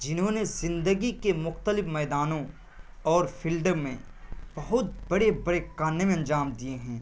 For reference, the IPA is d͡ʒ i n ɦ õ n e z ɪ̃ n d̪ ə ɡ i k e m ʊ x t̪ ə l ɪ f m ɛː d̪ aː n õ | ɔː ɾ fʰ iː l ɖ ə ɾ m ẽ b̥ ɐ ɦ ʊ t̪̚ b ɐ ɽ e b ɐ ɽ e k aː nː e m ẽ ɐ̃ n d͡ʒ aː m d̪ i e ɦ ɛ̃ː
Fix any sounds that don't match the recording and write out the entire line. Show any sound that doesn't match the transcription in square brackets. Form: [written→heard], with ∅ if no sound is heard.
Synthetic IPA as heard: d͡ʒ [i→ɪ] n ɦ õ n e z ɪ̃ n d̪ ə ɡ i k e m ʊ x t̪ ə l ɪ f m ɛː d̪ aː n õ | ɔː ɾ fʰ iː l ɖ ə ɾ m ẽ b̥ ɐ ɦ ʊ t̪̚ b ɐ ɽ e b ɐ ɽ e k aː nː e m ẽ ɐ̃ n d͡ʒ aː m d̪ i e ɦ ɛ̃ː